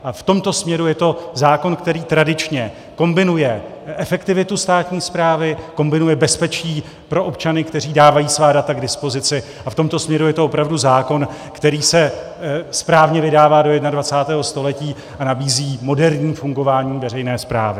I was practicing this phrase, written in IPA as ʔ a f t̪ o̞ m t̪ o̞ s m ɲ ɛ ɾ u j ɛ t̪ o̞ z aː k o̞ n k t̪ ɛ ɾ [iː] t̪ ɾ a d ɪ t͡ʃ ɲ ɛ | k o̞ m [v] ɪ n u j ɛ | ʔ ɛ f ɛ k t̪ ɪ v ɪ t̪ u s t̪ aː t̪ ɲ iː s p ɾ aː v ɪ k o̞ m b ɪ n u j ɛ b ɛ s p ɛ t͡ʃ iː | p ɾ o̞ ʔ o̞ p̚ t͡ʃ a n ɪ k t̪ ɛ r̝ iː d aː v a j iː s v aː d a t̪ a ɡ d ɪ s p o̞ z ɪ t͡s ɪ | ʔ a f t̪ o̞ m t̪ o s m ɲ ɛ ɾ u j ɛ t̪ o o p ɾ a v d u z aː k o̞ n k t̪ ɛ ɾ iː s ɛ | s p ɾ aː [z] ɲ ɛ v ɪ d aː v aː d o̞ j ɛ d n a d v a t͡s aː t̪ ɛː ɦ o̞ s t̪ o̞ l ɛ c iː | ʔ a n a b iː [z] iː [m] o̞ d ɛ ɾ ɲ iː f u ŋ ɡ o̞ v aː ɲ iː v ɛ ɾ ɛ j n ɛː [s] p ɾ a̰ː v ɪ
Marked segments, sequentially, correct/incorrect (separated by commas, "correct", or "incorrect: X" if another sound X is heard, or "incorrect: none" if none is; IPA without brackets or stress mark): correct, incorrect: b, incorrect: v, correct, correct, correct